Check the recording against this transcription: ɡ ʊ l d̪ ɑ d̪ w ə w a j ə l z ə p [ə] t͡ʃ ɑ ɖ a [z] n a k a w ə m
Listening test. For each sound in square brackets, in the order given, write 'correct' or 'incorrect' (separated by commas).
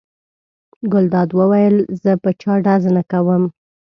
correct, correct